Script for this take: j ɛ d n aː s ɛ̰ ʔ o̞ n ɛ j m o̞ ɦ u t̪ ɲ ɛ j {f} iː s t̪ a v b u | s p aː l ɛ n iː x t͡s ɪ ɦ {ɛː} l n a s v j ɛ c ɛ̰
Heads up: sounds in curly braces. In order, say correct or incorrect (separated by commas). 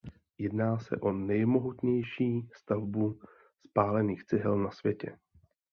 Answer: incorrect, incorrect